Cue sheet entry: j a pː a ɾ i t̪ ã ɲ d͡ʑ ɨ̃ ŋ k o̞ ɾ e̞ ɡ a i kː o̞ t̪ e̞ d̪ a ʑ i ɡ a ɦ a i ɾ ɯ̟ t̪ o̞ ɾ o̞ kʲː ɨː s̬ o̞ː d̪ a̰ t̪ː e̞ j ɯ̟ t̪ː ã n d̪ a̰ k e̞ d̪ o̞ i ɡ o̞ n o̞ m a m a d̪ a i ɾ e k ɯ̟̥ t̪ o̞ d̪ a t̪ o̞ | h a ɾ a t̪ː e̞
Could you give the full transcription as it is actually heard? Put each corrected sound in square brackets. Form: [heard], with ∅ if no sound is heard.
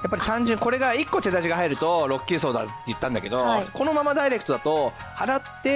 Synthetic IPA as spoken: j a pː a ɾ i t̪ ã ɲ d͡ʑ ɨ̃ ŋ k o̞ ɾ e̞ ɡ a i kː o̞ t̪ e̞ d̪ a ʑ i ɡ a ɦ a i ɾ ɯ̟ t̪ o̞ ɾ o̞ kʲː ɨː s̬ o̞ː d̪ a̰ t̪ː e̞ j ɯ̟ t̪ː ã n d̪ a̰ k e̞ d̪ o̞ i [k] o̞ n o̞ m a m a d̪ a i ɾ e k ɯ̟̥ t̪ o̞ d̪ a t̪ o̞ | h a ɾ a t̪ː e̞